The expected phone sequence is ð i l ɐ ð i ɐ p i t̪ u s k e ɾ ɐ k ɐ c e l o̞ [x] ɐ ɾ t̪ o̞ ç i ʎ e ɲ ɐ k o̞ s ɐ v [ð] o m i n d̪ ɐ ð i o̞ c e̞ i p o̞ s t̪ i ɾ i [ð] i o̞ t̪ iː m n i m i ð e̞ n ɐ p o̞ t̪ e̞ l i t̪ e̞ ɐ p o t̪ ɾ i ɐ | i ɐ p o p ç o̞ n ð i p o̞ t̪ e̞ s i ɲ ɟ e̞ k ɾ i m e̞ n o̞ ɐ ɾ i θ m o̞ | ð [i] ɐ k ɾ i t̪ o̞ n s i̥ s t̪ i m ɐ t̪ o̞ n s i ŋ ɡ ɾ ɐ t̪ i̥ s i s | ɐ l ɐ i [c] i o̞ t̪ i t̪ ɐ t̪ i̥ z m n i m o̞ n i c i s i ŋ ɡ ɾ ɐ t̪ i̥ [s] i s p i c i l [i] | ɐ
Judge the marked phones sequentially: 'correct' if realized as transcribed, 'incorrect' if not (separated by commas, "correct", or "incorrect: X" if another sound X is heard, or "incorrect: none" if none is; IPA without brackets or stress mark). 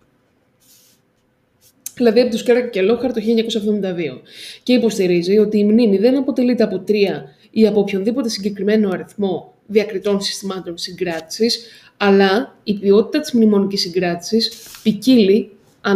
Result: correct, correct, incorrect: z, correct, incorrect: p, correct, correct